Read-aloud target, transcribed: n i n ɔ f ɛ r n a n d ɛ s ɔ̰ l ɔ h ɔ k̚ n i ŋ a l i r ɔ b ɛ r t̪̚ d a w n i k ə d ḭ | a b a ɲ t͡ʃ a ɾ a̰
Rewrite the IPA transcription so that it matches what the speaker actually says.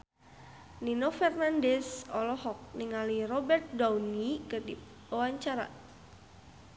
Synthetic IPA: n i n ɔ f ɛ r n a n d ɛ s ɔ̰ l ɔ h ɔ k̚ n i ŋ a l i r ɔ b ɛ r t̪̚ d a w n i k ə d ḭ | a w a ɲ t͡ʃ a ɾ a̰